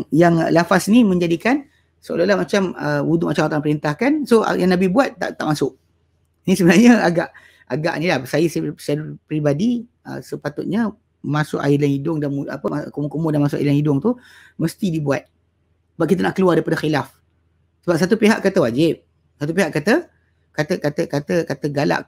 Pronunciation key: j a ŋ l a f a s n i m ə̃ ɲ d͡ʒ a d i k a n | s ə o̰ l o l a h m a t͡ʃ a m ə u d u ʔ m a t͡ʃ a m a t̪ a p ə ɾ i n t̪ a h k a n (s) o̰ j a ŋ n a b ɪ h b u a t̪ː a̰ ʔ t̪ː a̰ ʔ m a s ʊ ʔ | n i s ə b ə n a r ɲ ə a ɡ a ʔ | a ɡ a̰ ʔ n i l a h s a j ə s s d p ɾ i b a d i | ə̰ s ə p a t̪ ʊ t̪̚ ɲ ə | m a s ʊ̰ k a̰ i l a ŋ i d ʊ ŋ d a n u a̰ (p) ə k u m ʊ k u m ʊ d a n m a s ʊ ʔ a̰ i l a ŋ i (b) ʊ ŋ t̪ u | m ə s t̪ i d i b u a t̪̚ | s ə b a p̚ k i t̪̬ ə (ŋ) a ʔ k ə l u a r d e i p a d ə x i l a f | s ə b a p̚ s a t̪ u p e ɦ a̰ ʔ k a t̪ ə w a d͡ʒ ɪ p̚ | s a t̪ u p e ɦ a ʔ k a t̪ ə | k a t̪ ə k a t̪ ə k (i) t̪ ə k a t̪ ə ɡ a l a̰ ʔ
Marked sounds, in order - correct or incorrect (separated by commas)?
correct, correct, incorrect, incorrect, incorrect